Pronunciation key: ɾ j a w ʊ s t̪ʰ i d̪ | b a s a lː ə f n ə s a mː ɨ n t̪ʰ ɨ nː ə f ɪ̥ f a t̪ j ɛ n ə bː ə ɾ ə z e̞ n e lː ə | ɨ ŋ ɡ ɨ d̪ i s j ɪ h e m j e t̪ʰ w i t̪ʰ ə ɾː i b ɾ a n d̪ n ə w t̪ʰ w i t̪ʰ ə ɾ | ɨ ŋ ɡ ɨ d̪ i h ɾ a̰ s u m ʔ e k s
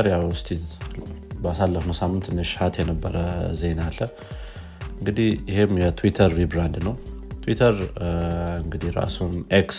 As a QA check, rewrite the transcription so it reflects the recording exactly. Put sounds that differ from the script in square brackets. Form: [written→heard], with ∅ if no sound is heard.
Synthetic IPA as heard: ɾ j a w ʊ s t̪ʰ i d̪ | b a s a lː ə f n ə s a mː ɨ n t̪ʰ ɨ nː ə [f→ʃ] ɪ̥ [f→h] a t̪ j ɛ n ə bː ə ɾ ə z e̞ n [e→a] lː ə | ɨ ŋ ɡ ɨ d̪ i [s→h] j ɪ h e m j [e→ɛ] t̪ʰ w i t̪ʰ ə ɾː i b ɾ a n d̪ n ə w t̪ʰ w i t̪ʰ ə ɾ | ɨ ŋ ɡ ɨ d̪ i h ɾ a̰ s u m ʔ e k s